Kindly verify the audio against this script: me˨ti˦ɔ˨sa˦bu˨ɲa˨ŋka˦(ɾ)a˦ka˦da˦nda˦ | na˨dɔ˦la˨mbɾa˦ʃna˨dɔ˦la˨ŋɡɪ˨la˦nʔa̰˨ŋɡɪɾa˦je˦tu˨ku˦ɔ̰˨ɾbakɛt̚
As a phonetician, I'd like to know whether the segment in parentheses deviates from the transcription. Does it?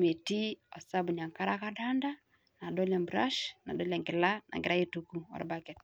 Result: no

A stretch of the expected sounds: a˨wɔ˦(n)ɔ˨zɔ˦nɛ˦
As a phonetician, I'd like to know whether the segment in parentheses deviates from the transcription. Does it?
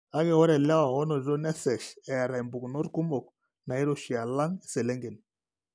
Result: no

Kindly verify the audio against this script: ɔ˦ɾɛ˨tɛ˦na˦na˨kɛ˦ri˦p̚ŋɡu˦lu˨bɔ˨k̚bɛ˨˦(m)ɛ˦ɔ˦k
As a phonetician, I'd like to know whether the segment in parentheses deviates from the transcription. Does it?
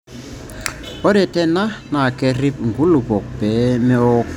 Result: no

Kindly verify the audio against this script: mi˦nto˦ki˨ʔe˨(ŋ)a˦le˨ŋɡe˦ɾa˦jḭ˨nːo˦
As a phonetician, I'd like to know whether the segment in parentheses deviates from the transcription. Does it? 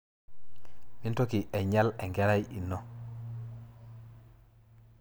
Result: yes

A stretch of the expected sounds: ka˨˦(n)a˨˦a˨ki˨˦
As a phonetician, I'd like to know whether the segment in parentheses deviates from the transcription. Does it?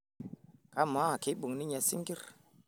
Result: yes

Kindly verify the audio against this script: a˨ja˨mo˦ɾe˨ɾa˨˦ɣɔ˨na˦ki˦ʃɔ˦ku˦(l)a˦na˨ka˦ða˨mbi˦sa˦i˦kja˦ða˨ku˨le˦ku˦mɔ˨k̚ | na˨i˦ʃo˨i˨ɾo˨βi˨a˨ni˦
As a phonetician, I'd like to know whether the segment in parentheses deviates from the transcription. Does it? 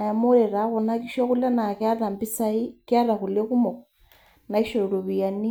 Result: no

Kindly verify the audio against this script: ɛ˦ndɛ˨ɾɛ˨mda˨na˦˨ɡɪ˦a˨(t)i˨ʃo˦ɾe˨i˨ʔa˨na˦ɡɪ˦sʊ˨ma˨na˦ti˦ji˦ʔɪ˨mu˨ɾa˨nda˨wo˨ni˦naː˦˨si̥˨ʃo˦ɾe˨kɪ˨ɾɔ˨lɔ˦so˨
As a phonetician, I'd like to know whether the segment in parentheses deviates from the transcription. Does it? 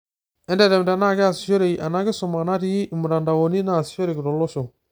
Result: yes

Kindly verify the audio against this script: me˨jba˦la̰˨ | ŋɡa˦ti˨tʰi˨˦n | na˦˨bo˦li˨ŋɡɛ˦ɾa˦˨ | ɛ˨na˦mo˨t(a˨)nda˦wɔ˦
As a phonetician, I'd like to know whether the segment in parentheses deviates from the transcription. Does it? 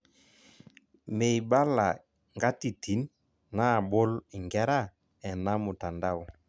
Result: no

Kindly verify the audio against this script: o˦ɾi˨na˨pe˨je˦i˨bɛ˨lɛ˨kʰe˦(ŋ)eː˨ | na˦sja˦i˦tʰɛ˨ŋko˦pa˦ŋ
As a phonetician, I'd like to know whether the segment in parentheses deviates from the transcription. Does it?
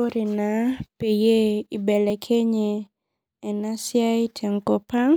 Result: yes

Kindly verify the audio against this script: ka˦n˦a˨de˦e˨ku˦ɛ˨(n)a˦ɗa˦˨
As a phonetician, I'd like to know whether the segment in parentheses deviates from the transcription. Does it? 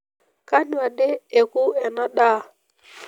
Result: no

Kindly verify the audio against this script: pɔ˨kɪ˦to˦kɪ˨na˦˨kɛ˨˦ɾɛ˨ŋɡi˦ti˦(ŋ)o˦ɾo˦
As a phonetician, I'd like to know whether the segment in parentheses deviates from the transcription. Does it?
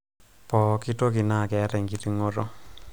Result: no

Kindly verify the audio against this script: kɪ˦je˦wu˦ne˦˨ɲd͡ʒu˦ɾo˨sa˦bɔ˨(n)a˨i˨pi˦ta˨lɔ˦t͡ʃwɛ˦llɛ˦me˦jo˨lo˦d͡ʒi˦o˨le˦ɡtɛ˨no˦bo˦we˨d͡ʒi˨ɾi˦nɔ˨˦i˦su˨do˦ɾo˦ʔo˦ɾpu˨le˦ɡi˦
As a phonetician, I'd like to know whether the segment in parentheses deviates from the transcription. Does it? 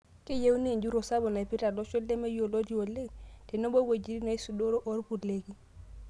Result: no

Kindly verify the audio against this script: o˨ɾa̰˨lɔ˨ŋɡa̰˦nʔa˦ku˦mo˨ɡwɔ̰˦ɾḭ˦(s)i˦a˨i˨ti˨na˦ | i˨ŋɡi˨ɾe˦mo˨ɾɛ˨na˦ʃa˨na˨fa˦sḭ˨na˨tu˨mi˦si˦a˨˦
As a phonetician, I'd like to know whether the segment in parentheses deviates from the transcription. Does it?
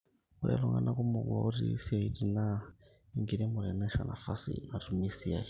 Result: no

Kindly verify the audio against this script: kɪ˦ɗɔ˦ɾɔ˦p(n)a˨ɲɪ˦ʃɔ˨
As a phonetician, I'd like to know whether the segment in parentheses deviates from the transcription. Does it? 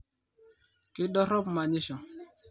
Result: yes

